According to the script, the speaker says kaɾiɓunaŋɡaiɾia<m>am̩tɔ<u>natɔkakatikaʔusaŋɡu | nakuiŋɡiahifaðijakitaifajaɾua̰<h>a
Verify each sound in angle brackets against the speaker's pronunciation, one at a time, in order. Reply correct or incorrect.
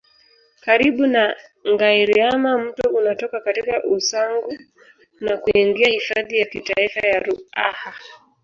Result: correct, correct, correct

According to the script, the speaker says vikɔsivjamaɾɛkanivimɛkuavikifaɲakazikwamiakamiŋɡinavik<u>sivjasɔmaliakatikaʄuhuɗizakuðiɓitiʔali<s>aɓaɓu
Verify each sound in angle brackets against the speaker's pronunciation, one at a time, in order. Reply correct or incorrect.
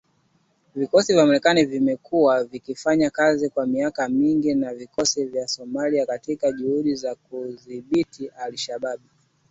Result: incorrect: ɔ, incorrect: ʃ

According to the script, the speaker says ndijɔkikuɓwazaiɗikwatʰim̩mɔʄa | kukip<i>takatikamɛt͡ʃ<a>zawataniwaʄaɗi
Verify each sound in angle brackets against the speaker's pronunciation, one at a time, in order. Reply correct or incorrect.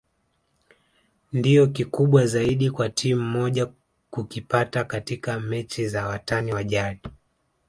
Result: incorrect: a, incorrect: i

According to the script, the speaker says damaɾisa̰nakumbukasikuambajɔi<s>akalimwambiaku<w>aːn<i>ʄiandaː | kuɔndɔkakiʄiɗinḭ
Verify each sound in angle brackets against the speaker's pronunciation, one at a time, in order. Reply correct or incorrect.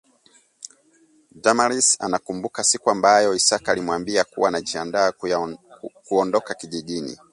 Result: correct, correct, incorrect: a

